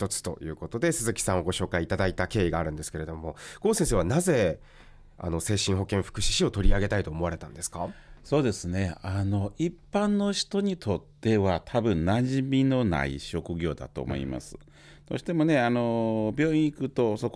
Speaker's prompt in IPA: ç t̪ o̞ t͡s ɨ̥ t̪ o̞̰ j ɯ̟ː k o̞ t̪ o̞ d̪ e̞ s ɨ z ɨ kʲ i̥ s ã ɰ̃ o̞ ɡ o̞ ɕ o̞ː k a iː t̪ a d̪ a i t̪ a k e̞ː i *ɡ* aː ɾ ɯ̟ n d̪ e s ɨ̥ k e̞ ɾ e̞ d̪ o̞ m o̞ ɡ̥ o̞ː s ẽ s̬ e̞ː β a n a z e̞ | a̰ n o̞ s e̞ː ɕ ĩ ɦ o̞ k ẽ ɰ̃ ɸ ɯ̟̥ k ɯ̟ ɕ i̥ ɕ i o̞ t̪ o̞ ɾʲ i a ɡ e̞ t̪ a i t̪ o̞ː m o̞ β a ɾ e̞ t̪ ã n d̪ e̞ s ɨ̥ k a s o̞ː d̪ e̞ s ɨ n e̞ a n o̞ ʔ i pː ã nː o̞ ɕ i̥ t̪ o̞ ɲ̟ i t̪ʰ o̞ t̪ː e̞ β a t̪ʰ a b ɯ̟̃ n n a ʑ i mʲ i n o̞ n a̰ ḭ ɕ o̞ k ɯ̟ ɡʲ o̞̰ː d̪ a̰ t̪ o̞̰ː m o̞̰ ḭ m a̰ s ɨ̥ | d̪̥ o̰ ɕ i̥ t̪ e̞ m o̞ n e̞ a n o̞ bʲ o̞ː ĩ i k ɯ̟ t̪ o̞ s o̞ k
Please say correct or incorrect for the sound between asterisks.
correct